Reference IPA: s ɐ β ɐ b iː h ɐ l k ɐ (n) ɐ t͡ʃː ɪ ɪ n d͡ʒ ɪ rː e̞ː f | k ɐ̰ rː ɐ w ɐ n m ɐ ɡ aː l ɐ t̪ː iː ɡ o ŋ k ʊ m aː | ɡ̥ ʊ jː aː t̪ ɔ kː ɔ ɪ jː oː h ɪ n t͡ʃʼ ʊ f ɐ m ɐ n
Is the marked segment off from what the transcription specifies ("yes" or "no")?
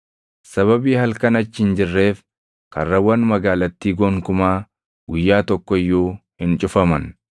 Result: no